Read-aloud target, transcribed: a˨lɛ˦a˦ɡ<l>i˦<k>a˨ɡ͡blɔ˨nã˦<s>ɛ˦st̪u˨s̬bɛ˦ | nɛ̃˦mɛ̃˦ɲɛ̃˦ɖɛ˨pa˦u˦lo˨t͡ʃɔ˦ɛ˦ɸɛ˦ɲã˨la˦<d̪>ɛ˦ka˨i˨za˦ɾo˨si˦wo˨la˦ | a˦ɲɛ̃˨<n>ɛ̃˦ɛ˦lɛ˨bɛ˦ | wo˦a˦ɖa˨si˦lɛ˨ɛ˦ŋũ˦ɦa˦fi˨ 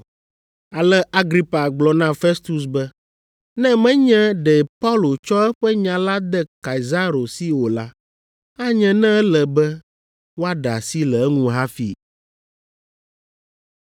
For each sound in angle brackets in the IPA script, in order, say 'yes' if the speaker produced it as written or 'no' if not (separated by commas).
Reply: no, no, no, yes, yes